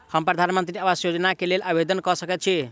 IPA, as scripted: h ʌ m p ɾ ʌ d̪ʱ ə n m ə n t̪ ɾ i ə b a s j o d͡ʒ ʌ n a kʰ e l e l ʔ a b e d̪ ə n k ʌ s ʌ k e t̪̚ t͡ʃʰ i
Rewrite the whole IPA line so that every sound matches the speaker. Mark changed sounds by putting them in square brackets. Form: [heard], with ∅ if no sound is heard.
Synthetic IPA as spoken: h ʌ m p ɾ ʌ d̪ʱ [a] n m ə n t̪ ɾ i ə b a s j o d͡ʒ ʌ n a [k] e l e l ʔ a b e d̪ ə n k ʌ s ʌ k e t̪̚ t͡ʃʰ i